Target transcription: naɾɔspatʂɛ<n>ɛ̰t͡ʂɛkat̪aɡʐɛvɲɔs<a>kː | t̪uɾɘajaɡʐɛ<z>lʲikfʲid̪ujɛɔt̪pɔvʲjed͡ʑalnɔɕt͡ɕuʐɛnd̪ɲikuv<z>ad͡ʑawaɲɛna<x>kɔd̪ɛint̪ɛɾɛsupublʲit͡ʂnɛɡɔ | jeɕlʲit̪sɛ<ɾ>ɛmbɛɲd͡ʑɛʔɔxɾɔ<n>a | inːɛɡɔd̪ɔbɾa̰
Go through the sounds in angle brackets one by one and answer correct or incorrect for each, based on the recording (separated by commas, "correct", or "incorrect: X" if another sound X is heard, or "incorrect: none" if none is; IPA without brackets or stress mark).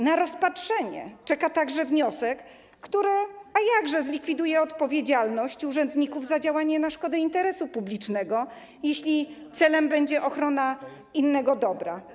incorrect: ɲ, incorrect: ɛ, correct, correct, incorrect: ʂ, incorrect: l, correct